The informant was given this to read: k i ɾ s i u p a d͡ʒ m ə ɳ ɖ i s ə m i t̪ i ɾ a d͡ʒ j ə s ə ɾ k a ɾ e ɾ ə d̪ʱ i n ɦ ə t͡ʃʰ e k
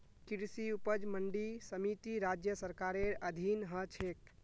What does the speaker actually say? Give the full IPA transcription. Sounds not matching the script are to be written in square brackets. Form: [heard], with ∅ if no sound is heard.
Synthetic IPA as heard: k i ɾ s i u p [ə] d͡ʒ m ə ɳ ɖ i s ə m i t̪ i ɾ a d͡ʒ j ə s ə ɾ k a ɾ e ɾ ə d̪ʱ i n ɦ ə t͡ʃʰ e k